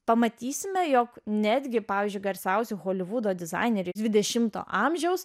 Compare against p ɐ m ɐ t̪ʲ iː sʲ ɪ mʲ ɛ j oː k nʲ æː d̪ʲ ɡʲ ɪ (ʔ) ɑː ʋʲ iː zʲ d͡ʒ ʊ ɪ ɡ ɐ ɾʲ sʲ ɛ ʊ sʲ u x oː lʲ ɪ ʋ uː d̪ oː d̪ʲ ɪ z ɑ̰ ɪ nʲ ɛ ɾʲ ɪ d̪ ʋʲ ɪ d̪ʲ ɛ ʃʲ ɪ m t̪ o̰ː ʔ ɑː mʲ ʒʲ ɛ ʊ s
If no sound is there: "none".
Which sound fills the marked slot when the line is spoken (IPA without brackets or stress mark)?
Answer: p